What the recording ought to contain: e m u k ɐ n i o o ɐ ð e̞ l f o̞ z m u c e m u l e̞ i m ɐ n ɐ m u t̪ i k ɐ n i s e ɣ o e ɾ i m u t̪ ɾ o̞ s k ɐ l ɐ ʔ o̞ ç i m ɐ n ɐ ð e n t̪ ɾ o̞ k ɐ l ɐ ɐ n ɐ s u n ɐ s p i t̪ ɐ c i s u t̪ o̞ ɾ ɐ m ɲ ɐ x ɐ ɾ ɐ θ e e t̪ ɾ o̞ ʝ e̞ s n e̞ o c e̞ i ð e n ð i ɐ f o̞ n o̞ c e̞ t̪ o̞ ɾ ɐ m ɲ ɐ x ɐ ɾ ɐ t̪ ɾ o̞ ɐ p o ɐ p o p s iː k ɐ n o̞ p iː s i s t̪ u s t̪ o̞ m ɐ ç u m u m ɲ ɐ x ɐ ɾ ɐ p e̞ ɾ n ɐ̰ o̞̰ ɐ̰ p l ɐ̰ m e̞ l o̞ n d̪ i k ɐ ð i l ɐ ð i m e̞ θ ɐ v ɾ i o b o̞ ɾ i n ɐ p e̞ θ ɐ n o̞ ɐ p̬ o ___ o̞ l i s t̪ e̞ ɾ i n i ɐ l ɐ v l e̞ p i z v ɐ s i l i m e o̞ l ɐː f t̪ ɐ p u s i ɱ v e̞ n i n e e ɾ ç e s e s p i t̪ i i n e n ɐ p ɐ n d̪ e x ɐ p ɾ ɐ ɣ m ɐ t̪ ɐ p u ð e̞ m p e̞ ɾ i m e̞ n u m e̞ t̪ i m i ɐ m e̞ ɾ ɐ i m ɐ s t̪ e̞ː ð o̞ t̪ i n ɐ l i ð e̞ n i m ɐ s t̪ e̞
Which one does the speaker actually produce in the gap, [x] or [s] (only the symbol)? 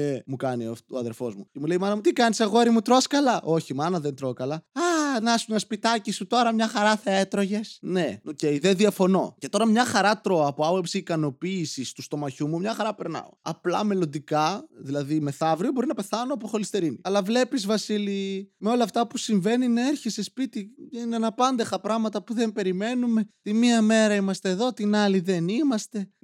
x